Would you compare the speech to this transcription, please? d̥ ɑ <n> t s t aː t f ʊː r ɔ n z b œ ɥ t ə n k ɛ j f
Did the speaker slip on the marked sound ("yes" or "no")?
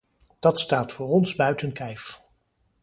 yes